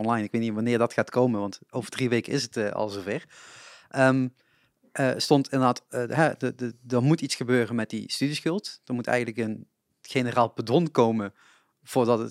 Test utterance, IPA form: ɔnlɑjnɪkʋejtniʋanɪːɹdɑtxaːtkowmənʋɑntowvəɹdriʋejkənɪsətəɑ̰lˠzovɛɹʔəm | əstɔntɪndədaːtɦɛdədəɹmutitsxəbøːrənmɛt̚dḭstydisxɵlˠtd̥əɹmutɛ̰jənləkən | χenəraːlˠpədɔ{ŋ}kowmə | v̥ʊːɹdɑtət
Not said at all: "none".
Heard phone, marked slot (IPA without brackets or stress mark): n